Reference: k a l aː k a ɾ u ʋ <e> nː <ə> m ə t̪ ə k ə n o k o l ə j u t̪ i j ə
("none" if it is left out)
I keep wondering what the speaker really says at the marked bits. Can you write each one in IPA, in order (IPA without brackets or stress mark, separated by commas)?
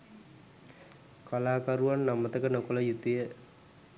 a, a